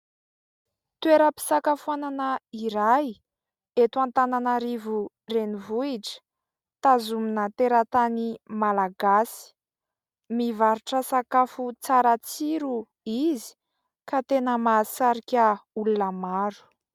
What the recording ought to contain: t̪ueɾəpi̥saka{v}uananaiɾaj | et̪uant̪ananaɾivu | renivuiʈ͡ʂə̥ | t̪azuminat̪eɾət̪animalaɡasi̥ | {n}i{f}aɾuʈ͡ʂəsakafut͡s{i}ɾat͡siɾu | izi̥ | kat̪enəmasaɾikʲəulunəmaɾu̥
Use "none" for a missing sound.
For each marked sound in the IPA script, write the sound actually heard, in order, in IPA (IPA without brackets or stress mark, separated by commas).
f, m, v, a